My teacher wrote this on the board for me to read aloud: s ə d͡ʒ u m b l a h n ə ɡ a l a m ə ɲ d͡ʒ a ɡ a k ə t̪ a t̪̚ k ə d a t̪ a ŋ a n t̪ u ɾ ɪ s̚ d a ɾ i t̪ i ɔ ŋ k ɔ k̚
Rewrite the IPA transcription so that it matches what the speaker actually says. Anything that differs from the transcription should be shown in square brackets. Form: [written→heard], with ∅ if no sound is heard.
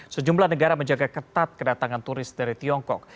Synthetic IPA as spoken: s ə d͡ʒ u m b l a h n ə ɡ a [l→ɾ] a m ə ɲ d͡ʒ a ɡ a k ə t̪ a t̪̚ k ə d a t̪ a ŋ a n t̪ u ɾ ɪ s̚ d a ɾ i t̪ i ɔ ŋ k ɔ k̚